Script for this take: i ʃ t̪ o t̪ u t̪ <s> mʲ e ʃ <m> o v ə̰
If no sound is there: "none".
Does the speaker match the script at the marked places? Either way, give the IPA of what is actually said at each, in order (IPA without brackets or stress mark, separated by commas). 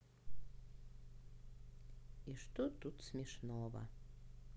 s, n